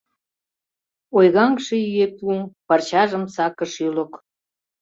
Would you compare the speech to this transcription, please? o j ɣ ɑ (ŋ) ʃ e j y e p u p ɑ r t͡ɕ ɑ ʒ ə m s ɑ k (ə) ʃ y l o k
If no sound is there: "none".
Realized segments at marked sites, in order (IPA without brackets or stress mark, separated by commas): ŋ, ə